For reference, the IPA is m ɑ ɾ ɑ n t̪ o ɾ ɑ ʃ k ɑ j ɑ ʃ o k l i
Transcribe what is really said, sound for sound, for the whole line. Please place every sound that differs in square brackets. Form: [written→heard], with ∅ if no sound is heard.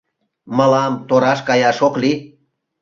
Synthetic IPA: m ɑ [ɾ→l] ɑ [n→m] t̪ o ɾ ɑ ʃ k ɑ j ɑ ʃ o k l i